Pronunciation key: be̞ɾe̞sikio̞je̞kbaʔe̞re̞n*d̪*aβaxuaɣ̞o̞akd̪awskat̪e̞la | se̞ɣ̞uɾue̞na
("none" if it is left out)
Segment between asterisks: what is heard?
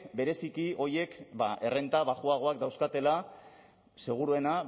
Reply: t̪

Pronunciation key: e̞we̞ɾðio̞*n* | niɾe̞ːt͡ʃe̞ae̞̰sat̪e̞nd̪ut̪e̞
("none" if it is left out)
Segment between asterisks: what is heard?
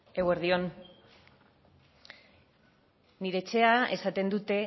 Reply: n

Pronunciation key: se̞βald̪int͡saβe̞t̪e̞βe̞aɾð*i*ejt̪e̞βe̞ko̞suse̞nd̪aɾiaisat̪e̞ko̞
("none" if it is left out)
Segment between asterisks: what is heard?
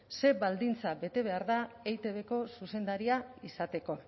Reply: a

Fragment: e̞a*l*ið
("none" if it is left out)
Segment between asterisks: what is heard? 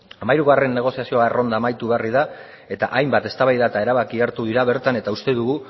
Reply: r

